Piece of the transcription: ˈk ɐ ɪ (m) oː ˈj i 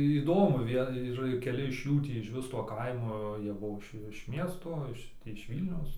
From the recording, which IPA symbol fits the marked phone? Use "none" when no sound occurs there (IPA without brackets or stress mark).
m